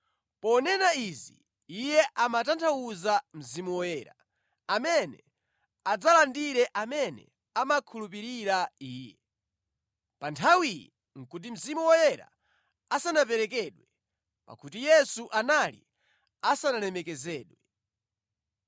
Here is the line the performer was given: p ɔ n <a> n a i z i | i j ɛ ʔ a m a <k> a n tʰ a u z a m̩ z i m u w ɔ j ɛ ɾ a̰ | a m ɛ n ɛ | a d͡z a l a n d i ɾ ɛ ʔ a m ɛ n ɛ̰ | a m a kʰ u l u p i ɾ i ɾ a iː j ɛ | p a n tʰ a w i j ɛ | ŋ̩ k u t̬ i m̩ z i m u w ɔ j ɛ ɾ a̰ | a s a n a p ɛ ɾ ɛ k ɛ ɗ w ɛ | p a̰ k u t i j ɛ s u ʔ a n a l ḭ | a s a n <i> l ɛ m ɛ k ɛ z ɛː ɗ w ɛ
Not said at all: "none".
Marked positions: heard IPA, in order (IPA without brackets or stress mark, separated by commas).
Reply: ɛ, t, a